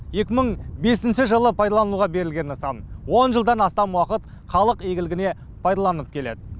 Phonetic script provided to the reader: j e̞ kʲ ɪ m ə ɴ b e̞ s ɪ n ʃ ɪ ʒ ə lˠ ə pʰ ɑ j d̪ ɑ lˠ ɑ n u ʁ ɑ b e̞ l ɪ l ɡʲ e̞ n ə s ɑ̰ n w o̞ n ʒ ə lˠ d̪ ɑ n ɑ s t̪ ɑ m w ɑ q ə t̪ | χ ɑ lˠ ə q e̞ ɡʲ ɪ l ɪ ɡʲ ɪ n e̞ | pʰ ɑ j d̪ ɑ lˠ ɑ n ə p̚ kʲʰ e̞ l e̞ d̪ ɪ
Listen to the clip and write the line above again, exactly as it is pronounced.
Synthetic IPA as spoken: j e̞ kʲ ɪ m ə ɴ b e̞ s ɪ n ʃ ɪ ʒ ə lˠ ə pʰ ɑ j d̪ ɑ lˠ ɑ n u ʁ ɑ b e̞ ɾ ɪ l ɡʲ e̞ n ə s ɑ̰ n w o̞ n ʒ ə lˠ d̪ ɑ n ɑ s t̪ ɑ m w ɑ q ə t̪ | χ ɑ lˠ ə q e̞ ɡʲ ɪ l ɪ ɡʲ ɪ n e̞ | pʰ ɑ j d̪ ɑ lˠ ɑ n ə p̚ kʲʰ e̞ l e̞ d̪ ɪ